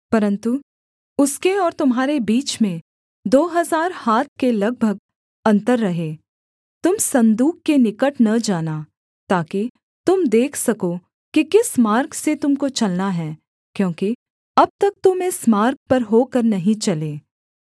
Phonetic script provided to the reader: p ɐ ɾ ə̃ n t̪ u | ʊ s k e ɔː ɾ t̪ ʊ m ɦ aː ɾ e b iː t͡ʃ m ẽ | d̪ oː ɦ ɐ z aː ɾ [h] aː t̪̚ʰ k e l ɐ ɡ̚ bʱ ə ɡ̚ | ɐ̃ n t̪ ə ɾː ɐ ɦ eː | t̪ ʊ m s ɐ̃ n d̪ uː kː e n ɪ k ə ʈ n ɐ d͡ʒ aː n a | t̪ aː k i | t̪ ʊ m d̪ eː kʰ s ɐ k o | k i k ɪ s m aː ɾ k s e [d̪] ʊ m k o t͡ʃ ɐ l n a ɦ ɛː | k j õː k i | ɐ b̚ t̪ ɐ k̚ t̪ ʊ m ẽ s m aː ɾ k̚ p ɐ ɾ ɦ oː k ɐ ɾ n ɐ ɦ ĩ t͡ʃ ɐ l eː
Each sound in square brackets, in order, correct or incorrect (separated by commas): correct, incorrect